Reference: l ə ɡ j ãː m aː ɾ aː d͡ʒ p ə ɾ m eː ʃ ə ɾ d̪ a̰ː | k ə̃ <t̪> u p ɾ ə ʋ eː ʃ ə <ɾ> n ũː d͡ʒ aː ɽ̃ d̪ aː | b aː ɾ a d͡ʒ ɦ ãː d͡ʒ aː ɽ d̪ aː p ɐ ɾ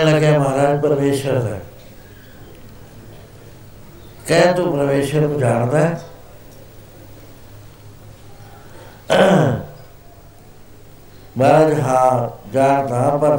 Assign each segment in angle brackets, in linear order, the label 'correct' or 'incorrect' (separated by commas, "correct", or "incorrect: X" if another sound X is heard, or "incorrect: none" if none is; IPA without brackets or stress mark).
correct, correct